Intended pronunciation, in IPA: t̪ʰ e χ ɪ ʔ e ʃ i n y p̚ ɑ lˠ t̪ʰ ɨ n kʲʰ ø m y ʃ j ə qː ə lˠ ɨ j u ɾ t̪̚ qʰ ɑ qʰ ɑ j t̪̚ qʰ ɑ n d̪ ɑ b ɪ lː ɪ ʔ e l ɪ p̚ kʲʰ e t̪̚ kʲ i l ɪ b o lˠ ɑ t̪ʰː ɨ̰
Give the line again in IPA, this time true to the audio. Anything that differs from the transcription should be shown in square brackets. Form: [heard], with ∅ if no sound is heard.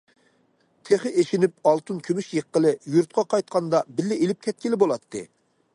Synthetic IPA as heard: t̪ʰ e χ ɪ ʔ e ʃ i n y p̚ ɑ lˠ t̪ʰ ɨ n kʲʰ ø m y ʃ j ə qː ə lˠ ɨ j u ɾ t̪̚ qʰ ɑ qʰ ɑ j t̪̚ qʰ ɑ n d̪ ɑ b ɪ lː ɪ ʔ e l ɪ p̚ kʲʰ [ɛ] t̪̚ kʲ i l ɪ b o lˠ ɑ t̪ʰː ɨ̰